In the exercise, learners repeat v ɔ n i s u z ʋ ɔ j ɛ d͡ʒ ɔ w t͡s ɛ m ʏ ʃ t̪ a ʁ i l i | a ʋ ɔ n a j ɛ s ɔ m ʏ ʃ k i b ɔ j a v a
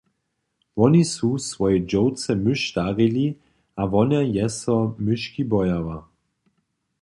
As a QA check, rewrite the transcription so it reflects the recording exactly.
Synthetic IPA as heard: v ɔ n i s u s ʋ ɔ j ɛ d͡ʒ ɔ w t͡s ɛ m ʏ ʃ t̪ a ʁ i l i | a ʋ ɔ n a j ɛ s ɔ m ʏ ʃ k i b ɔ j a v a

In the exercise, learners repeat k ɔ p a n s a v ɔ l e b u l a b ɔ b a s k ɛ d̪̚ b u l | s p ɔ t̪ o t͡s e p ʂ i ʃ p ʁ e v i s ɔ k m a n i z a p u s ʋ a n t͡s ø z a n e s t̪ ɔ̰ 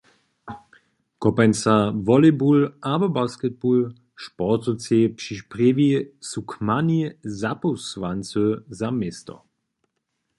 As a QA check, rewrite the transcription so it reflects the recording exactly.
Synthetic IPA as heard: k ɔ p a n s a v ɔ l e b u l a b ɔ b a s k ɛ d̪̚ b u l | ʃ p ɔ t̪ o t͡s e p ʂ i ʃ p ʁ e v i s u k m a n i z a p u s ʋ a n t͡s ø z a m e s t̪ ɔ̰

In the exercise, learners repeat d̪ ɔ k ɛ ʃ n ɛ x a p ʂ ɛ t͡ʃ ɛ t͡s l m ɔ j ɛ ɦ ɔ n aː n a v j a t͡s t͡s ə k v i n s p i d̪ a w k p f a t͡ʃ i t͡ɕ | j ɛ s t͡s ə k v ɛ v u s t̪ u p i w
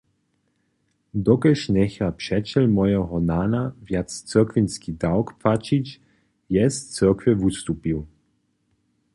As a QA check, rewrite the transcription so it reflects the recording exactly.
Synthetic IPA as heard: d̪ ɔ k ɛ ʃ n ɛ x a p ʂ ɛ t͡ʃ ɛ l m ɔ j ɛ ɦ ɔ n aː n a v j a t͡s t͡s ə k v i n s k i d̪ a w k p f a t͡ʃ i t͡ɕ | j ɛ s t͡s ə k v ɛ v u s t̪ u p i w

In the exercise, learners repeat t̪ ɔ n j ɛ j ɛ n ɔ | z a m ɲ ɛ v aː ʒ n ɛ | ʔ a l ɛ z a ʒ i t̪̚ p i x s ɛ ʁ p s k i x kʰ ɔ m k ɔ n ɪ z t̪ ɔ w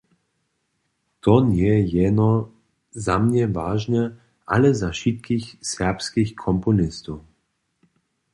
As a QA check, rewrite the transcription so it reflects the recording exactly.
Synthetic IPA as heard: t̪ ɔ n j ɛ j ɛ n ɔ | z a m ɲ ɛ v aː ʒ n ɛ | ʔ a l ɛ z a ʃ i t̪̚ k i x s ɛ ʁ p s k i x kʰ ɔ m p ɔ n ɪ s t̪ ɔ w

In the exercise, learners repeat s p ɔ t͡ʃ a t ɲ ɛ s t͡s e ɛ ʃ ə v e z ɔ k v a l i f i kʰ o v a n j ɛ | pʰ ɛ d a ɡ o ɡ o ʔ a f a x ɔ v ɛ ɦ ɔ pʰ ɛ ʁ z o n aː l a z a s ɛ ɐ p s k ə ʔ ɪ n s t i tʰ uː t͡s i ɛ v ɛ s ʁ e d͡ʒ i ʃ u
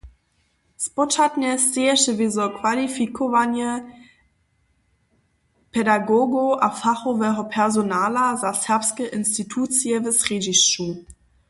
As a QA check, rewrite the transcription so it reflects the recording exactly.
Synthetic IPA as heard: s p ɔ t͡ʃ a t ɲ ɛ s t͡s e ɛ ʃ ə v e z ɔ k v a l i f i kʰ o v a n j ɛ | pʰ ɛ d a ɡ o ɡ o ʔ a f a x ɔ v ɛ ɦ ɔ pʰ ɛ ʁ z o n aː l a z a s ɛ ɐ p s k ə ʔ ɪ n s t i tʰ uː t͡s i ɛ v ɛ s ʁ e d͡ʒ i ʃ u

